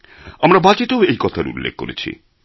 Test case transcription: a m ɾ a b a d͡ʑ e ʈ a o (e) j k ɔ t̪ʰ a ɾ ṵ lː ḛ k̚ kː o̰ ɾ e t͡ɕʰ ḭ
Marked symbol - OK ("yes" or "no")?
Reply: yes